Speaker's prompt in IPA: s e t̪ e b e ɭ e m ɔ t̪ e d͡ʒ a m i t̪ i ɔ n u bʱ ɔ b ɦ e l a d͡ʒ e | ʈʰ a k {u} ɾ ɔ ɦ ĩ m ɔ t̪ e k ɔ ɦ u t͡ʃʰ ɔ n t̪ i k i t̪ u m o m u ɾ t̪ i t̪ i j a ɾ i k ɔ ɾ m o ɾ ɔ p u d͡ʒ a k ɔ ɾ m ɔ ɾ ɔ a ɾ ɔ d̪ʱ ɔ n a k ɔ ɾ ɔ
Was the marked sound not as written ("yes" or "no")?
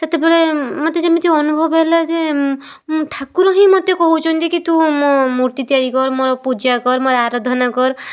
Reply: no